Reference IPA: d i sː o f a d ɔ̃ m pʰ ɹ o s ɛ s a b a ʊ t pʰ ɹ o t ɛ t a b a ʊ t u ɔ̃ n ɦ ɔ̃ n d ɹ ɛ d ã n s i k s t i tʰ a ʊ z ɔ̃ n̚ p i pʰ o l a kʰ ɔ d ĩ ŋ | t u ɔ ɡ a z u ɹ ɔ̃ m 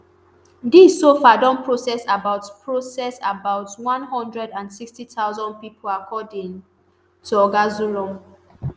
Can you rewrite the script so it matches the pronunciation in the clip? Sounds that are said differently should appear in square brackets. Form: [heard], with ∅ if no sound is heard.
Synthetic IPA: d i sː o f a d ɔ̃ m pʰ ɹ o s ɛ s a b a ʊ t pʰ ɹ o [s] ɛ [s] a b a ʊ t [w] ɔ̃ n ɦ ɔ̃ n d ɹ ɛ d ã n s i k s t i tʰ a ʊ z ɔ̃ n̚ p i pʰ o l a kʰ ɔ d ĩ ŋ | t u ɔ ɡ a z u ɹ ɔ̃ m